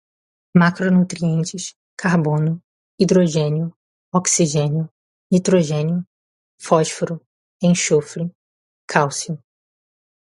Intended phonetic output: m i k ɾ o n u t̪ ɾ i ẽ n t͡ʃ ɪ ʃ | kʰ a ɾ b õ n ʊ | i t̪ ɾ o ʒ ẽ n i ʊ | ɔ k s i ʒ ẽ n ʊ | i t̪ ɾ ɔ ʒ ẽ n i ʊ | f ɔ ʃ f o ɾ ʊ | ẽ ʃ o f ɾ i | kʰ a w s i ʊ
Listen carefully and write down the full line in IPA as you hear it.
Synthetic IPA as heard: m a k ɾ o n u t̪ ɾ i ẽ n t͡ʃ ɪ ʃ | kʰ a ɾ b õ n ʊ | i d̪ ɾ o ʒ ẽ n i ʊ | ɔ k s i ʒ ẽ n ʊ | i t̪ ɾ o ʒ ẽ n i ʊ | f ɔ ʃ f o ɾ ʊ | ẽ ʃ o f ɾ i | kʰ a w s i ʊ